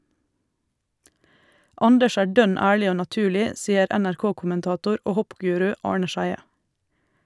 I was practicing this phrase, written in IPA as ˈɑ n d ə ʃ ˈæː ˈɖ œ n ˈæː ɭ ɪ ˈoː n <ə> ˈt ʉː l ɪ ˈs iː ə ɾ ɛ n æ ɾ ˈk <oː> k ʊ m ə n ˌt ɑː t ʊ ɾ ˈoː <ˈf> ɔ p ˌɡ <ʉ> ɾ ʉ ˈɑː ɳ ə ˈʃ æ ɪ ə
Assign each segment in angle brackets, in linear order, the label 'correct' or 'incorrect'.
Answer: incorrect: ɑ, correct, incorrect: h, incorrect: ʉː

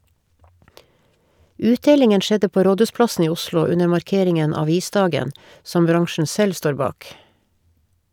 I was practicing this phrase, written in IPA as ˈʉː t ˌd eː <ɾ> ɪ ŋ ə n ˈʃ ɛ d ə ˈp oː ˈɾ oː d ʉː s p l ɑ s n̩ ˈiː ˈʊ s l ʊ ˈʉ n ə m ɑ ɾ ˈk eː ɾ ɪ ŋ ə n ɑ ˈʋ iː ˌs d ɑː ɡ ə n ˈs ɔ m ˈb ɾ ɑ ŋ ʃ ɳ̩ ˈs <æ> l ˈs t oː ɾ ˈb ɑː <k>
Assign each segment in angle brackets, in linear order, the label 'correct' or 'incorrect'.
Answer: incorrect: l, incorrect: ɛ, correct

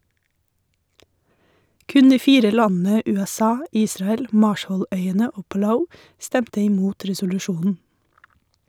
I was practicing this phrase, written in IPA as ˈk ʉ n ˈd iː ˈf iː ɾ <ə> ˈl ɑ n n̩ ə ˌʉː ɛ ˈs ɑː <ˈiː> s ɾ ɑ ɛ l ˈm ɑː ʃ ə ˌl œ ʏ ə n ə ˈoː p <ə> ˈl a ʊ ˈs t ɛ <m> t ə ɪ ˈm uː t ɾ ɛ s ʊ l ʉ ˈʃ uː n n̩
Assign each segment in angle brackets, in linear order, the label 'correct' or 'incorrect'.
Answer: correct, correct, incorrect: ɑ, correct

